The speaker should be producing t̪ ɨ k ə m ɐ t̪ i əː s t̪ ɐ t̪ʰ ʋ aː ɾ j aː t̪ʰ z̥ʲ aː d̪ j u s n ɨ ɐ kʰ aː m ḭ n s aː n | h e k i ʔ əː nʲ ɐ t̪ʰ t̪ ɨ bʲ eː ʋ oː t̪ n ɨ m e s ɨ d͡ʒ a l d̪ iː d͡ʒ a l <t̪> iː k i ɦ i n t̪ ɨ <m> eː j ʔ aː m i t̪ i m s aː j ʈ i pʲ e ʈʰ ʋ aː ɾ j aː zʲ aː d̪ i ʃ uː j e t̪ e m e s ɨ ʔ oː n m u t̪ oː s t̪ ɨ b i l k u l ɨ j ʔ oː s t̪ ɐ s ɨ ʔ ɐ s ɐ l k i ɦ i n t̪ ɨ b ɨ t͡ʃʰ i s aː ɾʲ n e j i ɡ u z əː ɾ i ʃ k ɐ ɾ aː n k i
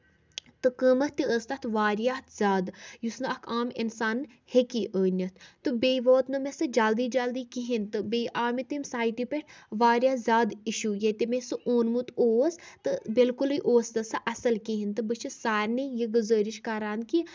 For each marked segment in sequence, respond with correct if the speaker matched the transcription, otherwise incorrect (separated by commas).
incorrect, incorrect